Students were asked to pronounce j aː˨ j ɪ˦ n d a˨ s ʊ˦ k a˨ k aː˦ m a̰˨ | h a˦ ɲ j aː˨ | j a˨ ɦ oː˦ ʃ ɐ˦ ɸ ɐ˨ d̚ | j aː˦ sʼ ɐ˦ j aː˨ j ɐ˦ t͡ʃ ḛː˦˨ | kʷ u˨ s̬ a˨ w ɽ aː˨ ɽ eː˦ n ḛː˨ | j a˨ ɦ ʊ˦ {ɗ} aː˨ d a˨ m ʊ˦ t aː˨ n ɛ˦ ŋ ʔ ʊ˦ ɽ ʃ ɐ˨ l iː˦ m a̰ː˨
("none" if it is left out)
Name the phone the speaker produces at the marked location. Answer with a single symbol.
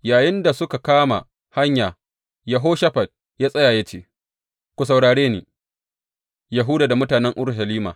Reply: d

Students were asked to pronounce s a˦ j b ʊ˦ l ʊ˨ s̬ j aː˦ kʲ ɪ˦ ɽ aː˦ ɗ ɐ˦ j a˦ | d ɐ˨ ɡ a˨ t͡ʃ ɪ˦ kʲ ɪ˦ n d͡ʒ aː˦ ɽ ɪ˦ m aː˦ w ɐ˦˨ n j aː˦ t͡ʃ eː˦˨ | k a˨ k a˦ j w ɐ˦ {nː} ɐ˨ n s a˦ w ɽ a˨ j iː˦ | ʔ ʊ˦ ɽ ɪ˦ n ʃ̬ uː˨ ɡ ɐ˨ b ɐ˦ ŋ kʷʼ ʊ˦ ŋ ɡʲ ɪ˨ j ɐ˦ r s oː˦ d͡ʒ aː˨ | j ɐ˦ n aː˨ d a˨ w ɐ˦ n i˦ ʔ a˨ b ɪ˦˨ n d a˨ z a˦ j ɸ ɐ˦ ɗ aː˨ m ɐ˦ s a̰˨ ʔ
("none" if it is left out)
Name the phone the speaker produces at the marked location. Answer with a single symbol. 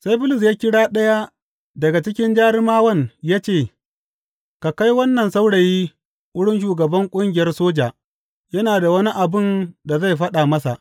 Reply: nː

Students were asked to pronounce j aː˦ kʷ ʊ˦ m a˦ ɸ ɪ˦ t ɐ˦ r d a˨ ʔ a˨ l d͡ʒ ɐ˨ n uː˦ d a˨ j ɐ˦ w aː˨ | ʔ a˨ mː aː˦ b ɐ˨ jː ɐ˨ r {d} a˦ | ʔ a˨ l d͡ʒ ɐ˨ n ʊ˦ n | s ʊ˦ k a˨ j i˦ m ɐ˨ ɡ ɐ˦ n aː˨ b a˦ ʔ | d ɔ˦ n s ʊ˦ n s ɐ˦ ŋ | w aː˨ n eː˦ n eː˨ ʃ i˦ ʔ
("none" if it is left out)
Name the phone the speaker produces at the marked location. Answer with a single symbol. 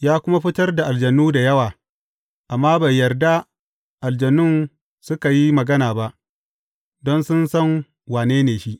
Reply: d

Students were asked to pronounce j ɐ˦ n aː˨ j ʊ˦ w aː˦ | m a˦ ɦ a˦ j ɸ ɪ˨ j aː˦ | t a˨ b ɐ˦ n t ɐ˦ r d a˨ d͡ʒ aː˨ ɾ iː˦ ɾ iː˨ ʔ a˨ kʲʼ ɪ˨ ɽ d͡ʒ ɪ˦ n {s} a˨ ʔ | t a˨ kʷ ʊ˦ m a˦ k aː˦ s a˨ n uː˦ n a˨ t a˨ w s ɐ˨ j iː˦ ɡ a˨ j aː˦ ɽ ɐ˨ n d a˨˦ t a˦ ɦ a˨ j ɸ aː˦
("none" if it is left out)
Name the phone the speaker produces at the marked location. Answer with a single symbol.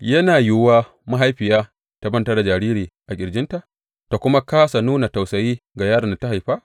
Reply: t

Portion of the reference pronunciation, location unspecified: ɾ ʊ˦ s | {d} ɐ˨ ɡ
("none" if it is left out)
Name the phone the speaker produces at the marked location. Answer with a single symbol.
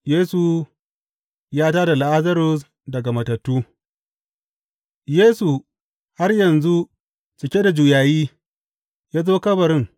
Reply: d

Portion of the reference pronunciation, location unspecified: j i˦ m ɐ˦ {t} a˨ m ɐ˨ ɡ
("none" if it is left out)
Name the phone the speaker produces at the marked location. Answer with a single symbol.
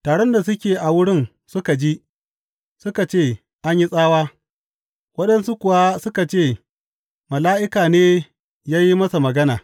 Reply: s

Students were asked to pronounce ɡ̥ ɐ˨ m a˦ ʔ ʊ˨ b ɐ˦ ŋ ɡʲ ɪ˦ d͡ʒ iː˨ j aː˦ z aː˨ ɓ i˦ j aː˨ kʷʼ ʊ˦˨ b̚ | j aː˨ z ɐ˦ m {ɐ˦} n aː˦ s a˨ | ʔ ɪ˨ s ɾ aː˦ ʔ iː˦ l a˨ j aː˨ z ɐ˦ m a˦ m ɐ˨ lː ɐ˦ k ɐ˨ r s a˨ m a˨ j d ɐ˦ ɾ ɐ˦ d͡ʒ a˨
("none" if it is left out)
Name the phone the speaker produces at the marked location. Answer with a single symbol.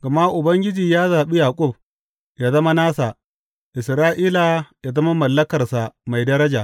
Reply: a˦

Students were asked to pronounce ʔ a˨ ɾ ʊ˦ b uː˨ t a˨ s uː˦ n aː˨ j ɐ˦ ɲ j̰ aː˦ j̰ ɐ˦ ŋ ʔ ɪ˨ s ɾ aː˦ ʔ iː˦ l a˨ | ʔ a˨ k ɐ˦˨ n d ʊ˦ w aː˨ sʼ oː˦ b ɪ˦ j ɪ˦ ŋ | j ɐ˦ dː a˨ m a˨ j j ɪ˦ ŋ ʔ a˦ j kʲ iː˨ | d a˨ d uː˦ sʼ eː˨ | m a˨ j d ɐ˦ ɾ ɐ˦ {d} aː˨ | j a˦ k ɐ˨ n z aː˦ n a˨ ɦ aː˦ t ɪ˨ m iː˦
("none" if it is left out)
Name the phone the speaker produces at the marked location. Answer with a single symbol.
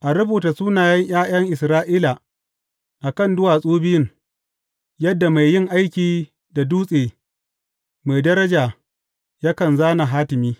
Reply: d͡ʒ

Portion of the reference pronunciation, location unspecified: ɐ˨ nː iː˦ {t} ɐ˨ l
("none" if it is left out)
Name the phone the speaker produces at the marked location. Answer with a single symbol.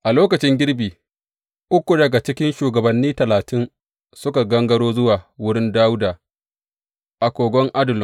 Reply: t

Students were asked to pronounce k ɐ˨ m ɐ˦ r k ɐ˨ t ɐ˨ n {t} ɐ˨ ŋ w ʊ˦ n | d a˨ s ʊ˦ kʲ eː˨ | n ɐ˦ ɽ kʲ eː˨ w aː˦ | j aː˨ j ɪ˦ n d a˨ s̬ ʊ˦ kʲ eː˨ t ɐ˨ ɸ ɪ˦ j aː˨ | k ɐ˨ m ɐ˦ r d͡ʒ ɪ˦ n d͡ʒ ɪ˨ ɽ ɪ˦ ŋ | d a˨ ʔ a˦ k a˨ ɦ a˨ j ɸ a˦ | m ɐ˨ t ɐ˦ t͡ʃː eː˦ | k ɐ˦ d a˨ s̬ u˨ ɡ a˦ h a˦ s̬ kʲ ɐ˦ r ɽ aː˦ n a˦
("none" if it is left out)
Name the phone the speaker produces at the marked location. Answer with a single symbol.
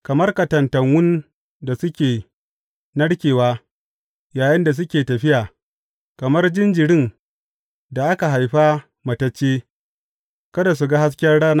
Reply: t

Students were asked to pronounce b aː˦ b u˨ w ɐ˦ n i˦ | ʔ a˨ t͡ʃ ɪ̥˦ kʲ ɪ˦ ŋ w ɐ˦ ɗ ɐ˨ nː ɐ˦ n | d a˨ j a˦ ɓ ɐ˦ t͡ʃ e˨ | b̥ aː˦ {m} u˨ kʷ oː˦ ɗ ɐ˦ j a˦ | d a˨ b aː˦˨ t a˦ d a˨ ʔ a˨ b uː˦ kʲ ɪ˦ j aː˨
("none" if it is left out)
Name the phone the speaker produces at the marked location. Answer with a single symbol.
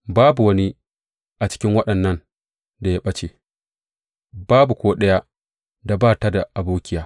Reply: b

